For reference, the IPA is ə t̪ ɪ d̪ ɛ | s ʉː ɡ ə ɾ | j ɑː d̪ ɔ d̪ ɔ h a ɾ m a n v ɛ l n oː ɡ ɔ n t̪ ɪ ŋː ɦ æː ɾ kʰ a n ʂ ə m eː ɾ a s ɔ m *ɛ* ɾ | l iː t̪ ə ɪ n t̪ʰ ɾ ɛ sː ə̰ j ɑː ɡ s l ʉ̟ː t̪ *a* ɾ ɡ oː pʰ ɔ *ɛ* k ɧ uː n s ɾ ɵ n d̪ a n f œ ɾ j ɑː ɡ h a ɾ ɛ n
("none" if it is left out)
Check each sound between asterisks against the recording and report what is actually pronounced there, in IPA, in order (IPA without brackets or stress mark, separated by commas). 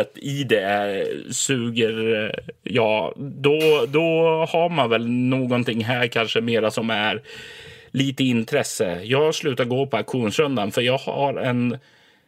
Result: æ, a, a